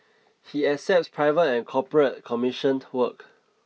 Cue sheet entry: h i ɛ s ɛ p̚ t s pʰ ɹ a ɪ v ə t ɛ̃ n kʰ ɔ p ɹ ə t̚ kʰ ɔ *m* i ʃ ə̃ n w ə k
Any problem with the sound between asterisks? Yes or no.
no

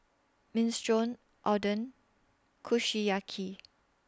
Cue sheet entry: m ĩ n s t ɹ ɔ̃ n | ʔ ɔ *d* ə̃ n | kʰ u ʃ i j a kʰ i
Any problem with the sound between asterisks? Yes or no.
no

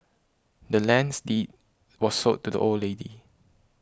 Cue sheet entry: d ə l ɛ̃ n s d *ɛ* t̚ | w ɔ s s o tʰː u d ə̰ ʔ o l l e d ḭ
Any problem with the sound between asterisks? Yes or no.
yes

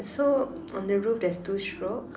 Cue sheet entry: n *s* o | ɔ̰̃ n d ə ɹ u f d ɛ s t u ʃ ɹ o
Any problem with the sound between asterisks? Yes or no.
no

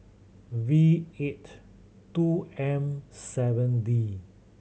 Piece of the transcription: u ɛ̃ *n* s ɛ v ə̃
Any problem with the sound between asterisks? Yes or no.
yes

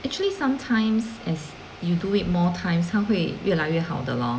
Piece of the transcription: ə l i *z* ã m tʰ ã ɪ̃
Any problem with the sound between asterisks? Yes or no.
yes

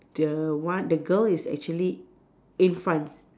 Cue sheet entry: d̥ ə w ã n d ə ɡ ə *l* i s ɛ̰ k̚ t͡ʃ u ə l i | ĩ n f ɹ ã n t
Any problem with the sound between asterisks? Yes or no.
no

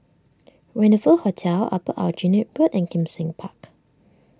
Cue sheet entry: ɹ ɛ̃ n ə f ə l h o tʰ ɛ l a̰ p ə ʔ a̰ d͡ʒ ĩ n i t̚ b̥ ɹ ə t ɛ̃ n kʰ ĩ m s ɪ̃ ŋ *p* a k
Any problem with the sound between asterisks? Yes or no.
yes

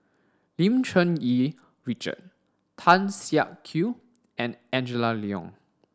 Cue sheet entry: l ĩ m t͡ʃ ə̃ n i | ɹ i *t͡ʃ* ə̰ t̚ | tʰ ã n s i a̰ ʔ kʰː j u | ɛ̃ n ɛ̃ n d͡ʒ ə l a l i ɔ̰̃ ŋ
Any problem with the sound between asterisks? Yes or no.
no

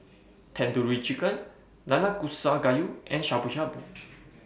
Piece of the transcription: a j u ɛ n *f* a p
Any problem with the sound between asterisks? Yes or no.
yes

